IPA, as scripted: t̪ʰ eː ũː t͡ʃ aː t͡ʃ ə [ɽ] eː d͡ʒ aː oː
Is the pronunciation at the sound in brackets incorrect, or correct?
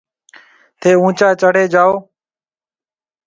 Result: correct